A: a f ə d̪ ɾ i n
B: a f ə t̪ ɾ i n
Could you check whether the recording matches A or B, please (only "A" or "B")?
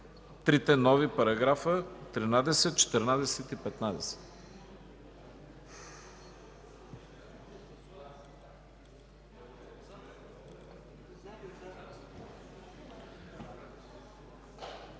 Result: B